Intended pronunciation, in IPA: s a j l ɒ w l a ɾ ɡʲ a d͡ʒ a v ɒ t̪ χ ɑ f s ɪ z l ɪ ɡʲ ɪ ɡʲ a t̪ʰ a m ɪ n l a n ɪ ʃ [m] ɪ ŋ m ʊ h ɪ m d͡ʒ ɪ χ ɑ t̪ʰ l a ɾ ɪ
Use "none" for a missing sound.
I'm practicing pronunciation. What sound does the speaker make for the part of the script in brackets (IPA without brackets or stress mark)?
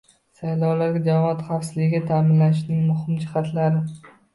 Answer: n